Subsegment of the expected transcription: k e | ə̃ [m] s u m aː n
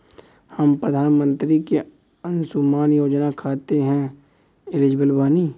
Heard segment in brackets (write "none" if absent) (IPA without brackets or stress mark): n